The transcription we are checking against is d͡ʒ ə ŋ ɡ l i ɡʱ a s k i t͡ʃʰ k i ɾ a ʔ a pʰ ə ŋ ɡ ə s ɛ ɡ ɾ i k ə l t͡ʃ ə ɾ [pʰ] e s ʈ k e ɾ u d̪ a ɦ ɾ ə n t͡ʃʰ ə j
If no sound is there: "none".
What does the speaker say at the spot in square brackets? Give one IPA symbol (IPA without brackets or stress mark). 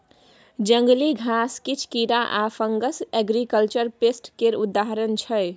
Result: p